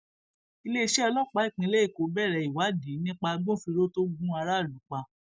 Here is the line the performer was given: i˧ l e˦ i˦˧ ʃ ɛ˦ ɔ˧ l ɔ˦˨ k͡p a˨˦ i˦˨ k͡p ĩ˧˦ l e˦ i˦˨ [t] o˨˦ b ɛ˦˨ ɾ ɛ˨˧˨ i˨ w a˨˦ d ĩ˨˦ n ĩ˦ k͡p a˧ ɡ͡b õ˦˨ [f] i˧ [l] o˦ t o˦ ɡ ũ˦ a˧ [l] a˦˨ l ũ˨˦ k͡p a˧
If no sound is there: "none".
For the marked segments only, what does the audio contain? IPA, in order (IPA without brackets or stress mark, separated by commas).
k, f, ɾ, ɾ